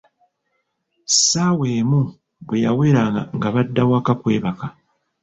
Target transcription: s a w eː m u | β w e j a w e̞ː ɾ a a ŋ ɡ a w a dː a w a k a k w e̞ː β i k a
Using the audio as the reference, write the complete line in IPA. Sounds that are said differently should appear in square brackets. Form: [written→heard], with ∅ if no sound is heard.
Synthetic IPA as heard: s a w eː m u | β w e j a w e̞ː ɾ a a ŋ ɡ a [w→β] a dː a w a k a k w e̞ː β [i→a] k a